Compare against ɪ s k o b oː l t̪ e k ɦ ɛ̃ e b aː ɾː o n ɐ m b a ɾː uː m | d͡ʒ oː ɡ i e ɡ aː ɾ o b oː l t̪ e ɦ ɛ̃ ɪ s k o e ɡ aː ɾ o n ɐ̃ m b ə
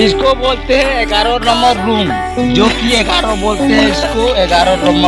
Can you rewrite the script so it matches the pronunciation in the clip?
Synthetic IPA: ɪ s k o b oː l t̪ e ɦ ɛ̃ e ɡ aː ɾ o n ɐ m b ə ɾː uː m | d͡ʒ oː k i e ɡ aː ɾ o b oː l t̪ e ɦ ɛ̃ ɪ s k o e ɡ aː ɾ o n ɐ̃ m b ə